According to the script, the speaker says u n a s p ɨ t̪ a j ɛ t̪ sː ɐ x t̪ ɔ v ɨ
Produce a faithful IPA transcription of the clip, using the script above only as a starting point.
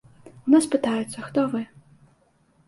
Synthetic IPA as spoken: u n a s p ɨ t̪ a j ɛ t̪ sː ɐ x t̪ ɔ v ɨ